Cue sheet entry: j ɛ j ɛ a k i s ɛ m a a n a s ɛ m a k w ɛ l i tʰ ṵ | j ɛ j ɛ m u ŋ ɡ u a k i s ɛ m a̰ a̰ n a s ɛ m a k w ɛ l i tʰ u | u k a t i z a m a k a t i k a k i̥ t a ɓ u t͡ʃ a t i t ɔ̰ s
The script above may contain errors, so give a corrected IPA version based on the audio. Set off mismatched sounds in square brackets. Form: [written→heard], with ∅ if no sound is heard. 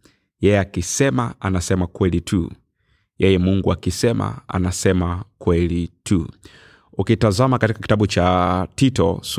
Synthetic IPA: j ɛ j ɛ a k i s ɛ m a a n a s ɛ m a k w ɛ l i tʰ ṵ | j ɛ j ɛ m u ŋ ɡ u a k i s ɛ m a̰ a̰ n a s ɛ m a k w ɛ l i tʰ u | u k [a→i] t [i→a] z a m a k a t i k a k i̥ t a ɓ u t͡ʃ a t i t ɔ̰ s